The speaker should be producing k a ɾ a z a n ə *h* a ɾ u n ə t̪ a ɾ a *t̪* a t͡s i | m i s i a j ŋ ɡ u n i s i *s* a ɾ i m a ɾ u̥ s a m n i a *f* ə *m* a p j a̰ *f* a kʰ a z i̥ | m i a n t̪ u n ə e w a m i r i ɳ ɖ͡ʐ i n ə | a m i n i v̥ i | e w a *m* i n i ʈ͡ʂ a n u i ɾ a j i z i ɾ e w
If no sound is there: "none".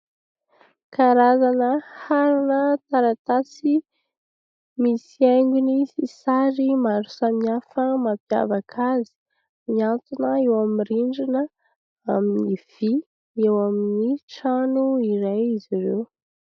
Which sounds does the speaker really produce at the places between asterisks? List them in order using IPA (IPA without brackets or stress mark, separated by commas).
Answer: h, t̪, s, f, m, v, m